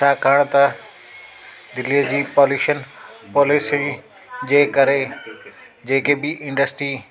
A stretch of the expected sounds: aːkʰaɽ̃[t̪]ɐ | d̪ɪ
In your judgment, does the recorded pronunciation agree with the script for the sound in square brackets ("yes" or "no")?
yes